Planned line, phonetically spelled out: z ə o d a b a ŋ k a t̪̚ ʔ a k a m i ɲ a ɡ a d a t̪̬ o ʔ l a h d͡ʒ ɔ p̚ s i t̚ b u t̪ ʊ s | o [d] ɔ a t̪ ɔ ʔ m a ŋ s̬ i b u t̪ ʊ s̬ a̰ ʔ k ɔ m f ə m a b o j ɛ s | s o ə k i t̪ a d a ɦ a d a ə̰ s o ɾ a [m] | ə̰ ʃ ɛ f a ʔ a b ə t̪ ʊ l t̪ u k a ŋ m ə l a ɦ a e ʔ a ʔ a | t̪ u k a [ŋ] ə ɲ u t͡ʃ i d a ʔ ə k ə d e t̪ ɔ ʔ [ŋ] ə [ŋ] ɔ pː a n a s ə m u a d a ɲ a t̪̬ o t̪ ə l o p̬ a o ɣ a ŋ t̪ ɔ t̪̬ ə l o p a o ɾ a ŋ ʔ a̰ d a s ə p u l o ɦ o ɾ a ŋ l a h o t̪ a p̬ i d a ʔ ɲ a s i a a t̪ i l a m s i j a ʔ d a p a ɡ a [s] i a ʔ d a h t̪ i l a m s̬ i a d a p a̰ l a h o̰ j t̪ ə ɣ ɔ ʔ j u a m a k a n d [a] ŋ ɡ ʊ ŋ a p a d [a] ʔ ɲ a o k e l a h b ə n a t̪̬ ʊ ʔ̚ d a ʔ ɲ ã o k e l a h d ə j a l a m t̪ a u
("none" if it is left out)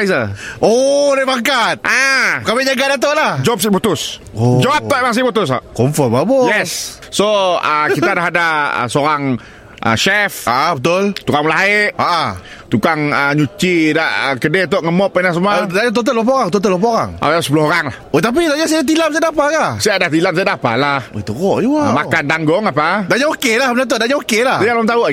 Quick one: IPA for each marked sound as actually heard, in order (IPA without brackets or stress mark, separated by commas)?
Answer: d͡ʒ, ŋ, ŋ, ŋ, m, s, a, a